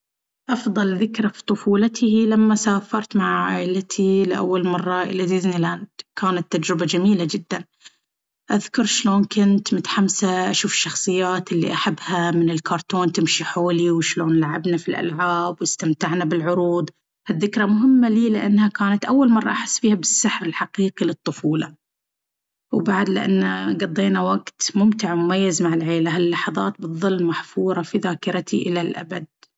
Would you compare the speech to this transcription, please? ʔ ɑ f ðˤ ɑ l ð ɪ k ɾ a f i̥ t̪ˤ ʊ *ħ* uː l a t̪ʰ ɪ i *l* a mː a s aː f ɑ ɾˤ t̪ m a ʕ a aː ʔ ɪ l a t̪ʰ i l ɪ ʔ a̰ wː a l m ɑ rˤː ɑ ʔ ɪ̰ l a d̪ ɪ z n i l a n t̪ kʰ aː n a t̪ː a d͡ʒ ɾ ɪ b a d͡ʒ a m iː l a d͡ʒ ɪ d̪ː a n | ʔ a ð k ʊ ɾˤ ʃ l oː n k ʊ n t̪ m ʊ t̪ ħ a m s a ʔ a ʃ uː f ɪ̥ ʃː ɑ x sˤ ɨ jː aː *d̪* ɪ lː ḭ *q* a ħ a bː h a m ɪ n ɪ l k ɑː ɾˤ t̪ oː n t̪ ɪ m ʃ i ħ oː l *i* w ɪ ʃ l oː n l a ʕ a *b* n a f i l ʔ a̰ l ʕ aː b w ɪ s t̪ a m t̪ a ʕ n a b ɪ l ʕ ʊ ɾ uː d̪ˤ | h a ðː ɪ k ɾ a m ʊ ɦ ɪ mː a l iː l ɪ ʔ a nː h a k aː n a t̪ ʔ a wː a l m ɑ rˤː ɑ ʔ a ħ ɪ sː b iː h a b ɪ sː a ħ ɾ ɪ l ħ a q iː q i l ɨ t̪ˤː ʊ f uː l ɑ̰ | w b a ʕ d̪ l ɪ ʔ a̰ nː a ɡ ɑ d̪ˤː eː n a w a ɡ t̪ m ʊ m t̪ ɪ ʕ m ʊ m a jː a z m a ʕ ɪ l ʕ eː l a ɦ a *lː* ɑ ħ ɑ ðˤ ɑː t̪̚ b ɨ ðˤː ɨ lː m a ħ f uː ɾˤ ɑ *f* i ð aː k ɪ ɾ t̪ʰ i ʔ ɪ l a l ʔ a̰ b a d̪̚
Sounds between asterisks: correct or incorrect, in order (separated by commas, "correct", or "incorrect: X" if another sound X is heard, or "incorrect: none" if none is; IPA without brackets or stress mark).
incorrect: f, correct, incorrect: t̪, incorrect: ʔ, correct, correct, correct, correct